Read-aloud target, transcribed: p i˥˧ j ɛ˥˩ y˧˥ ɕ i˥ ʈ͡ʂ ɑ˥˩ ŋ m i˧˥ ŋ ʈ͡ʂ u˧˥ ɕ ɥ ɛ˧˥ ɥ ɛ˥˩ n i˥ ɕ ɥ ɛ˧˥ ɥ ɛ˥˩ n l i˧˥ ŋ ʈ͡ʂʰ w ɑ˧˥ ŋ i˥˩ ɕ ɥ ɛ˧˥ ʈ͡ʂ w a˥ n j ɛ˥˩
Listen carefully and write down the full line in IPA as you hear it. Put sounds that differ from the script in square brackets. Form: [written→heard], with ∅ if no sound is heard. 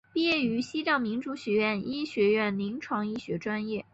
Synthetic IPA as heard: p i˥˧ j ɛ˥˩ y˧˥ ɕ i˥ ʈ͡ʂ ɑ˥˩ ŋ m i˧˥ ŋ ʈ͡ʂ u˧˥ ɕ ɥ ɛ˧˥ ɥ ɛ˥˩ n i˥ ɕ ɥ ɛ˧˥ ɥ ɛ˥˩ n l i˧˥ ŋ ʈ͡ʂʰ w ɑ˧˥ ŋ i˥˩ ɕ ɥ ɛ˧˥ ʈ͡ʂ w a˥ n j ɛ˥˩